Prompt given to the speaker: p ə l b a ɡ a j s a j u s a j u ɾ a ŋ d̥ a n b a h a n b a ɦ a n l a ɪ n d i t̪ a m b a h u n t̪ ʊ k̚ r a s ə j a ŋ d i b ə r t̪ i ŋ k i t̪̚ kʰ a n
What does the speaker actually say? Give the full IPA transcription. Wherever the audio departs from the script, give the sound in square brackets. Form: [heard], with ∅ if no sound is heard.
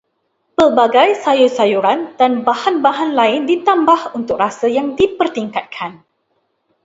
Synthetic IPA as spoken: p ə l b a ɡ a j s a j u s a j u ɾ a [n] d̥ a n b a h a n b a ɦ a n l a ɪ n d i t̪ a m b a h u n t̪ ʊ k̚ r a s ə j a ŋ d i [p] ə r t̪ i ŋ k [a] t̪̚ kʰ a n